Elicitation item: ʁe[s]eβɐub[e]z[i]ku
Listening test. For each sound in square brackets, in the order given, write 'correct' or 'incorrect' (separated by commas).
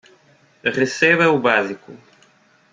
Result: correct, incorrect, correct